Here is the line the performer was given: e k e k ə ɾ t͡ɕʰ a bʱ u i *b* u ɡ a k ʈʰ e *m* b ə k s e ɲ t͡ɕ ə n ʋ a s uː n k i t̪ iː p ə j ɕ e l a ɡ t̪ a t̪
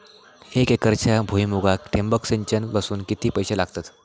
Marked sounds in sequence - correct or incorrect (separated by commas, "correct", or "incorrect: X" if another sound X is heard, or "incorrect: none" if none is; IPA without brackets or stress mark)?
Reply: incorrect: m, correct